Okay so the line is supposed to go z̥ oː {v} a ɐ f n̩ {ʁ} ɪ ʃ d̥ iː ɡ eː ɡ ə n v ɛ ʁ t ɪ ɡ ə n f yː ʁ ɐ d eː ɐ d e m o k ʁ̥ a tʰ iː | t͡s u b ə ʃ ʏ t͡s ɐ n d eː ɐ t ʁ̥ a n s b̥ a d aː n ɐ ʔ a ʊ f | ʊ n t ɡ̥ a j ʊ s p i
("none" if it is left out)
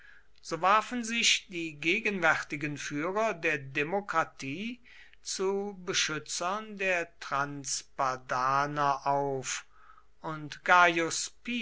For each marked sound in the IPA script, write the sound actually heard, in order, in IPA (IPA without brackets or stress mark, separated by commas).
v, z